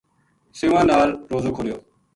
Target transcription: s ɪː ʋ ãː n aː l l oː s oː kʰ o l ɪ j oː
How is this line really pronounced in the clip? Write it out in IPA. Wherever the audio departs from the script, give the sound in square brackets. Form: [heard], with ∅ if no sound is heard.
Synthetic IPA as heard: s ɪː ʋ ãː n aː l [ɾ] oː [z] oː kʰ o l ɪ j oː